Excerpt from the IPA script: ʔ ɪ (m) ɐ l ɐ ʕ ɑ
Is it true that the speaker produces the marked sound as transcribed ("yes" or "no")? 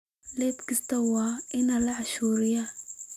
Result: no